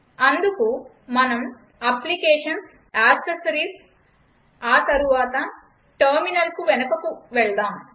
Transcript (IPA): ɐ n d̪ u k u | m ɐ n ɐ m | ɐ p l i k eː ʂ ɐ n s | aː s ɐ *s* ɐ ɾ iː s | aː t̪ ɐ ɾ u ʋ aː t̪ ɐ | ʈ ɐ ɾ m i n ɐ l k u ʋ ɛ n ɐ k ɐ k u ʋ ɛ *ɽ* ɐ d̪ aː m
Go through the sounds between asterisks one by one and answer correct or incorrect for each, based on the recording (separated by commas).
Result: correct, incorrect